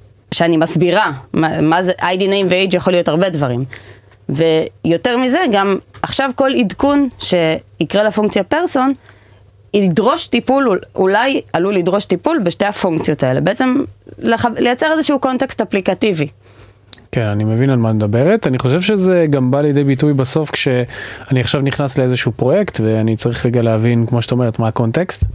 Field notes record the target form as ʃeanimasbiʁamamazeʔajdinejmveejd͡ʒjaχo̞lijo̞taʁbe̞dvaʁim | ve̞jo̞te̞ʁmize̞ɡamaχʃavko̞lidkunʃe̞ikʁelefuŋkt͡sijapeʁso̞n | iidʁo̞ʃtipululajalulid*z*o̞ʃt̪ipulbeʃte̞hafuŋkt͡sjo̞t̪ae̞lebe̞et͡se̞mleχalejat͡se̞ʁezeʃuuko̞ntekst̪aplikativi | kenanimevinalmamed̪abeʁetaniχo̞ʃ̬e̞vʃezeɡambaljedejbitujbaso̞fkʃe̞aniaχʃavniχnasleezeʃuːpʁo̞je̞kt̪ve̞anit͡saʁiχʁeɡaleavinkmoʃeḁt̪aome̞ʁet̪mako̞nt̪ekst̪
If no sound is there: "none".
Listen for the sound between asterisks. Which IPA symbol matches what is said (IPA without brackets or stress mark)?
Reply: ʁ